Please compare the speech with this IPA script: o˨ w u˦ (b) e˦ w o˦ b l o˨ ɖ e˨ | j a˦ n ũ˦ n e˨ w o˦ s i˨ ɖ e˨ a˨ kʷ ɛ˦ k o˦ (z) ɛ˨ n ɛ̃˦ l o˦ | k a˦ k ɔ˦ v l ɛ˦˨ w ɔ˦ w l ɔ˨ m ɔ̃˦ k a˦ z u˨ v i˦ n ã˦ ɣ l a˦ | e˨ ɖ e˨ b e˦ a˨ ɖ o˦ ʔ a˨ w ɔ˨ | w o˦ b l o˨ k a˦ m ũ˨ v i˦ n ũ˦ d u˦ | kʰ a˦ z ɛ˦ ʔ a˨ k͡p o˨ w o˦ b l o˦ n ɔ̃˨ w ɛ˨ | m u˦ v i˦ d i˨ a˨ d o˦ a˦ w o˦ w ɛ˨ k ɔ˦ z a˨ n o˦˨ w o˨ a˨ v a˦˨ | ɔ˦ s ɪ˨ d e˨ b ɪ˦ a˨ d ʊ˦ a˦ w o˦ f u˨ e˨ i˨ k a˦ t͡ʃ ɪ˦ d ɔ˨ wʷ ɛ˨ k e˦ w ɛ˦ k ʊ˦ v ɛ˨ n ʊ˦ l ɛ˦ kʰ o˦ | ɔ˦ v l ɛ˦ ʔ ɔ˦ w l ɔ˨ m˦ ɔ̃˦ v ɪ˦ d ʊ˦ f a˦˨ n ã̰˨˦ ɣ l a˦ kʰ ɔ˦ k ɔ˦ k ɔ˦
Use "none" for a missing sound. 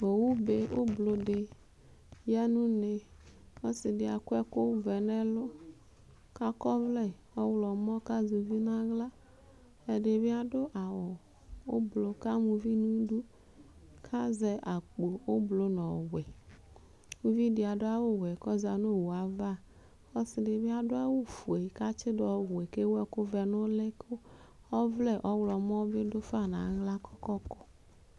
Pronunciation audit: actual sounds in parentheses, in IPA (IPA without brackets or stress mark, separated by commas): b, v